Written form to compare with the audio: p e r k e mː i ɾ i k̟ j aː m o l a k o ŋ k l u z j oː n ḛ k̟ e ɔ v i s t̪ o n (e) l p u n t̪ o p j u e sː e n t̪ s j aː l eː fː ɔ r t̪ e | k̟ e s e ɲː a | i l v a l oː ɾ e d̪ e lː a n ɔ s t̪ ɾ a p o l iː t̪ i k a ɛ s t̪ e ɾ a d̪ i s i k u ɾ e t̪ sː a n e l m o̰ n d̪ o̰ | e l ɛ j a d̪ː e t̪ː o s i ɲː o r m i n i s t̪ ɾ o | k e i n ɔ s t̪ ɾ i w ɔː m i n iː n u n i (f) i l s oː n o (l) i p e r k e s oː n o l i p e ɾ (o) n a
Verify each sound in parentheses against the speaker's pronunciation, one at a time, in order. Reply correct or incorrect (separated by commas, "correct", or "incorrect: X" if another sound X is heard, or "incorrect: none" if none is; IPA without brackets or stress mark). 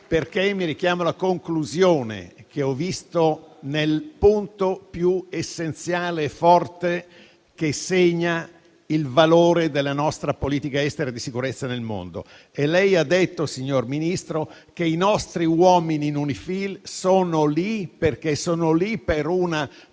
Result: correct, correct, correct, incorrect: u